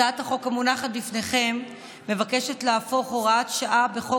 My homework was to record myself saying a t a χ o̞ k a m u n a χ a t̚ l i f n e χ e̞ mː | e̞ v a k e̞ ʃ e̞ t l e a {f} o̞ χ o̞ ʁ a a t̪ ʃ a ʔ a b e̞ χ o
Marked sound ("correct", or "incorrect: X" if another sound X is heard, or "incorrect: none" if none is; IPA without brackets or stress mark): correct